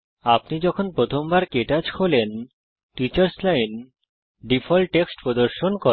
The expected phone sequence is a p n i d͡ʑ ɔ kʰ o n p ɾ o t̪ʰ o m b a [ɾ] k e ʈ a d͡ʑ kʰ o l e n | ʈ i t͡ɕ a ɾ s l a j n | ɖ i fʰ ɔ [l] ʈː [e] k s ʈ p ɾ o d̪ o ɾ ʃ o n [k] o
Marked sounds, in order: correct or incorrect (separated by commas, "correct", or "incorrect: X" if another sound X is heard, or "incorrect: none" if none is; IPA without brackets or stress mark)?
correct, correct, correct, correct